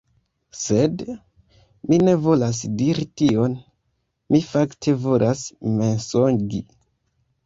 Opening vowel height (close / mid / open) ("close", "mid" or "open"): mid